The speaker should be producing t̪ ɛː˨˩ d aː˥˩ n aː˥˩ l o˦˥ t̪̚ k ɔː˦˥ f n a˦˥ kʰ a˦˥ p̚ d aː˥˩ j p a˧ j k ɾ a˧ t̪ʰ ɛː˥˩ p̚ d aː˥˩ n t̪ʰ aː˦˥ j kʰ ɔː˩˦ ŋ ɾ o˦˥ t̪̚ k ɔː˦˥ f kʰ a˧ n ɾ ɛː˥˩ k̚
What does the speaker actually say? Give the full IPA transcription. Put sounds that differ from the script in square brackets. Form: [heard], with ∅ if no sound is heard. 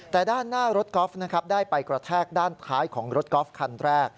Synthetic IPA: t̪ ɛː˨˩ d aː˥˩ [nː] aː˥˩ [ɾ] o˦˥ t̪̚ k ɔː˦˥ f n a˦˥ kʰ a˦˥ p̚ d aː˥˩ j p a˧ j k ɾ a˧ t̪ʰ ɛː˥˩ [k̚] d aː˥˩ n t̪ʰ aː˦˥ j kʰ ɔː˩˦ ŋ ɾ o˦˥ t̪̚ k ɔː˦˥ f kʰ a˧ n ɾ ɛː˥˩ k̚

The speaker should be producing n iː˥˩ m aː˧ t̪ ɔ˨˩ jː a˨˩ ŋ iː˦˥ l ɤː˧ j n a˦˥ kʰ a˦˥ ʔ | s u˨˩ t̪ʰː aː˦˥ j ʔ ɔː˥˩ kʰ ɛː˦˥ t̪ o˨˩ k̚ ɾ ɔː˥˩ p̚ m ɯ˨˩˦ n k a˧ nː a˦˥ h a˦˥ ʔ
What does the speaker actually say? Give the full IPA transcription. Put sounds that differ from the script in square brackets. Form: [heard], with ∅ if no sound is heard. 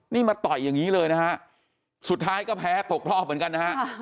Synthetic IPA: n iː˥˩ m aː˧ t̪ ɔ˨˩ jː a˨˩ ŋ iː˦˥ l ɤː˧ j n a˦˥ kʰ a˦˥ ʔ | s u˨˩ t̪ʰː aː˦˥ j [k] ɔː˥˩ [pʰ] ɛː˦˥ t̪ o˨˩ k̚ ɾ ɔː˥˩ p̚ m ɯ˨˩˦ n k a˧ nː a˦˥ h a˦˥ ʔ

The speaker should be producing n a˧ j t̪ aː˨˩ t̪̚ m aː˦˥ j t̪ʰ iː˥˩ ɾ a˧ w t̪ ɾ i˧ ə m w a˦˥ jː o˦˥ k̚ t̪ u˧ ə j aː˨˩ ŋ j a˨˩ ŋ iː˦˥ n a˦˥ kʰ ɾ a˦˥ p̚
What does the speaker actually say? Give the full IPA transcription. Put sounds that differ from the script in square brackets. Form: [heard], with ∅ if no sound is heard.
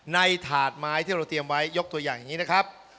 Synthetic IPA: n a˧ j [t̪ʰ] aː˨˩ t̪̚ m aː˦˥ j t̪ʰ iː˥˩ ɾ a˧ w t̪ ɾ i˧ ə m w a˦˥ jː o˦˥ k̚ t̪ u˧ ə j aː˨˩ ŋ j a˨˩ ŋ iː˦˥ n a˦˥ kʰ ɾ a˦˥ p̚

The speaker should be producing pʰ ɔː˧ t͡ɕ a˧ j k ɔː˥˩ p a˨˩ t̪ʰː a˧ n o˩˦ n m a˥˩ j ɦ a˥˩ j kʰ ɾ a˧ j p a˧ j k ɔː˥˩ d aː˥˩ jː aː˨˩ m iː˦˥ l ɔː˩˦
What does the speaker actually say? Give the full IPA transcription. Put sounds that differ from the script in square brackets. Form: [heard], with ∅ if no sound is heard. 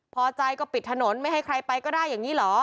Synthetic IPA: pʰ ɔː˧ t͡ɕ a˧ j k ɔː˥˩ p [i˨˩] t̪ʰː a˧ n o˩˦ n m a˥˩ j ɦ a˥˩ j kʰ ɾ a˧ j p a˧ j k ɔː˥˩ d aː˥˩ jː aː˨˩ [ŋ] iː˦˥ l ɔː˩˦

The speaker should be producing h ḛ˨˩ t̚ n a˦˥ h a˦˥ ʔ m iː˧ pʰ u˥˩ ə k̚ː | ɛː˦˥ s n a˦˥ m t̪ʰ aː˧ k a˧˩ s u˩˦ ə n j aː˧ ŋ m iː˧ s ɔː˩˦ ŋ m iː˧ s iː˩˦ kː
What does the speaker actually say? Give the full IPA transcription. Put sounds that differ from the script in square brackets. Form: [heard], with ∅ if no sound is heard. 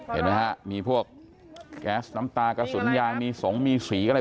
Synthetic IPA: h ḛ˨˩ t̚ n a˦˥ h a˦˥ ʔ m iː˧ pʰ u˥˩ ə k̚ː | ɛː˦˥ s n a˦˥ m [t̪] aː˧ k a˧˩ s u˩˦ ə n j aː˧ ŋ m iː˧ s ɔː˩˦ ŋ m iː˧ s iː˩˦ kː

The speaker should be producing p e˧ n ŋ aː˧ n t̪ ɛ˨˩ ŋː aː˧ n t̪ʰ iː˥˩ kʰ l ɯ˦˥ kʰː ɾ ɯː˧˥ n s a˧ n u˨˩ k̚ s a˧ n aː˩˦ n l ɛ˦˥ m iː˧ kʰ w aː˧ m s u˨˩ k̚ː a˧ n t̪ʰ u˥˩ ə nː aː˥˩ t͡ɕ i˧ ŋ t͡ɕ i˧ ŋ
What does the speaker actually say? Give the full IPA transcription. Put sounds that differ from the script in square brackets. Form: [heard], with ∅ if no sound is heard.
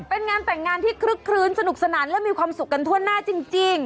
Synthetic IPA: p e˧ n ŋ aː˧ n t̪ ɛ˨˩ ŋː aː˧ n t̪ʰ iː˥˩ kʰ [ɾ] ɯ˦˥ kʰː ɾ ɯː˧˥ n s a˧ n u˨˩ k̚ s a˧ n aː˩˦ n l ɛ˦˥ m iː˧ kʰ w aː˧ m s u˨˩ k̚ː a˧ n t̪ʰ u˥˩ ə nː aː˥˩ t͡ɕ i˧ ŋ t͡ɕ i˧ ŋ

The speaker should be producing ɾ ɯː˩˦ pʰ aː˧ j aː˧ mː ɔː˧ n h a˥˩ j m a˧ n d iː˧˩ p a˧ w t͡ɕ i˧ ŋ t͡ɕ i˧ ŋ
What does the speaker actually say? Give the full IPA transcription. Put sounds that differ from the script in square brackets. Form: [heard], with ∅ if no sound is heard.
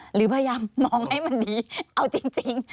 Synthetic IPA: ɾ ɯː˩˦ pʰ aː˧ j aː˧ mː ɔː˧ [ŋ] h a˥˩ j m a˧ n d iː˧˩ [ʔ] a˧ w t͡ɕ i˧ ŋ t͡ɕ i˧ ŋ

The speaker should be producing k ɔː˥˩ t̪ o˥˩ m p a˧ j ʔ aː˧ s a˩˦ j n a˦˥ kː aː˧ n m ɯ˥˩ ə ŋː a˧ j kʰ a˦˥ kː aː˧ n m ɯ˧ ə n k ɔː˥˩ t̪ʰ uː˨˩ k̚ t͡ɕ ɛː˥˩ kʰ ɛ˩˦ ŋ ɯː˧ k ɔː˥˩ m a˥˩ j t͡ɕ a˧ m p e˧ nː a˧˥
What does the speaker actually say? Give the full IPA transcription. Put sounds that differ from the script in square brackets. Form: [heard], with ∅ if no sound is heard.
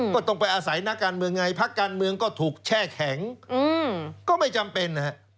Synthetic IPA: k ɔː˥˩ t̪ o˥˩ [ŋ] p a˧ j ʔ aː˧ s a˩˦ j n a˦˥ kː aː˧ n m [ɯ˧] ə ŋː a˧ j [pʰ] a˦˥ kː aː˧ n m ɯ˧ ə [ŋ] k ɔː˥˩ t̪ʰ uː˨˩ k̚ [t͡ɕʰ] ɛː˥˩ kʰ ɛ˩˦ ŋ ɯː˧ k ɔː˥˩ m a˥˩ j t͡ɕ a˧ m p e˧ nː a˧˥

